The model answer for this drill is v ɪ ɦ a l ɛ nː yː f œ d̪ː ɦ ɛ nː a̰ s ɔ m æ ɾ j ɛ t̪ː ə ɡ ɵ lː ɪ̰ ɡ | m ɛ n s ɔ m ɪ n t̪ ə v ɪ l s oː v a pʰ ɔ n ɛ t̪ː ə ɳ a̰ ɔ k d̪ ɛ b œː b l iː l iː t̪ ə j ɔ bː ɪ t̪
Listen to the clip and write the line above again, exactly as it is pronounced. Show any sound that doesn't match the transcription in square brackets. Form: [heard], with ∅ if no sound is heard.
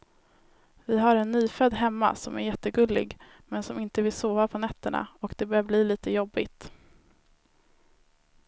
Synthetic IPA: v ɪ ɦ a [ɾ] ɛ nː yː f œ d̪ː ɦ ɛ [mː] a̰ s ɔ m æ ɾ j ɛ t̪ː ə ɡ ɵ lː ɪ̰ ɡ | m ɛ n s ɔ m ɪ n t̪ ə v ɪ l s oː v a pʰ ɔ n ɛ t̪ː ə ɳ a̰ ɔ k d̪ ɛ b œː b l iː l iː t̪ ə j ɔ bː ɪ t̪